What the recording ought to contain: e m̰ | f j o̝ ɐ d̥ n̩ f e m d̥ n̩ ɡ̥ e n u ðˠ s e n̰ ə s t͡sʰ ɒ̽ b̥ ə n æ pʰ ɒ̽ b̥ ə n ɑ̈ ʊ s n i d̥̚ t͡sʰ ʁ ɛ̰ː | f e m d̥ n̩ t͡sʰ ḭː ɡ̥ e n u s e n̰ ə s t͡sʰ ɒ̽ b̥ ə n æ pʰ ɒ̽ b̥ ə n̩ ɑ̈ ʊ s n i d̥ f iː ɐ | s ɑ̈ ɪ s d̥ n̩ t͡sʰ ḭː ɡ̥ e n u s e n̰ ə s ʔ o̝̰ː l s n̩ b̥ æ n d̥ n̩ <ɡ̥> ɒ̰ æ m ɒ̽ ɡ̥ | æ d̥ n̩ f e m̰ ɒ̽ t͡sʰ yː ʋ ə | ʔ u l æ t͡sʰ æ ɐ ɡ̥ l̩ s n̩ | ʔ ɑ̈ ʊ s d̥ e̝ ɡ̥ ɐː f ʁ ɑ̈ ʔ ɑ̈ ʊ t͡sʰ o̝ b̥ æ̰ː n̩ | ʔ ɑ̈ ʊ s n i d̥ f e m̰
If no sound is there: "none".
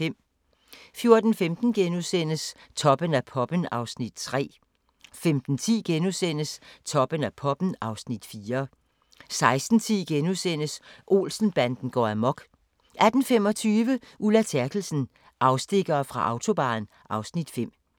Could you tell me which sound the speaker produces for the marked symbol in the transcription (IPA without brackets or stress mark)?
ɡ̥